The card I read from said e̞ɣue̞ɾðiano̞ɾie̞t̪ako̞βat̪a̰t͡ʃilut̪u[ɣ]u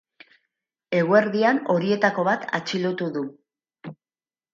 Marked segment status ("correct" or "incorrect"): incorrect